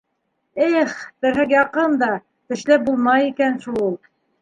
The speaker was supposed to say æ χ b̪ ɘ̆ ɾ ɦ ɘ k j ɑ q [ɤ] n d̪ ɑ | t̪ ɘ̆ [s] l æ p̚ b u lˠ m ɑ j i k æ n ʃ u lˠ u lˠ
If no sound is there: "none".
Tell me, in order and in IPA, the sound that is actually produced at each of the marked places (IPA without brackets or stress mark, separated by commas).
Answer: ɤ, ʃ